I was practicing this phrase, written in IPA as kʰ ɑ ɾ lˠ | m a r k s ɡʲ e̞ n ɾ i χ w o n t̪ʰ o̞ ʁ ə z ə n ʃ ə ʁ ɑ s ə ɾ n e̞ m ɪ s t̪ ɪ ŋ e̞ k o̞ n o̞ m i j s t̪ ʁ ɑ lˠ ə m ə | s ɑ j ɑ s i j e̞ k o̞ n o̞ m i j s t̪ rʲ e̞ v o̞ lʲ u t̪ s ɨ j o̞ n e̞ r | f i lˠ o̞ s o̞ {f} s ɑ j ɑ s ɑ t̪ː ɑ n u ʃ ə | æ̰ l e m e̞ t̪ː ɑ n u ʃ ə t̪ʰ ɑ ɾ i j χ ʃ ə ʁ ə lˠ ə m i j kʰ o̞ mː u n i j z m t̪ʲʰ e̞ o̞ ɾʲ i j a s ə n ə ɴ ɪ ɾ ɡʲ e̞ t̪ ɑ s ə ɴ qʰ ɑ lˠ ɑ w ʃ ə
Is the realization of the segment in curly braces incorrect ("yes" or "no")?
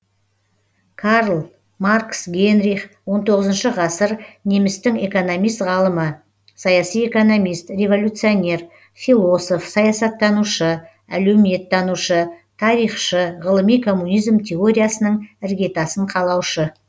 no